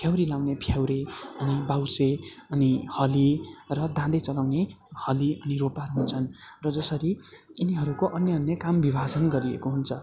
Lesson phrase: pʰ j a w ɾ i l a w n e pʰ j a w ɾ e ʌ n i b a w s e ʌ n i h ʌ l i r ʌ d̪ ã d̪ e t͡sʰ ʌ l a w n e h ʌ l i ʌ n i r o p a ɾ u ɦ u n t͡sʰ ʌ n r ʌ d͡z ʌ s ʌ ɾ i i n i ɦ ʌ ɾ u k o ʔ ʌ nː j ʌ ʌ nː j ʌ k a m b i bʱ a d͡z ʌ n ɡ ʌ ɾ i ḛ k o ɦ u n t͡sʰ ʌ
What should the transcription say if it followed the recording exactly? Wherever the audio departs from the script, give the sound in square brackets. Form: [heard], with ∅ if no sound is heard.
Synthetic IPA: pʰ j a w ɾ i l a w n e pʰ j a w ɾ e ʌ n i b a w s e ʌ n i h ʌ l i r ʌ d̪ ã d̪ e [t͡s] ʌ l a w n e h ʌ l i ʌ n i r o p a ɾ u ɦ u n t͡sʰ ʌ n r ʌ d͡z ʌ s ʌ ɾ i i n i ɦ ʌ ɾ u k o ʔ ʌ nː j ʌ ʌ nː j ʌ k a m b i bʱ a d͡z ʌ n ɡ ʌ ɾ i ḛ k o ɦ u n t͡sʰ ʌ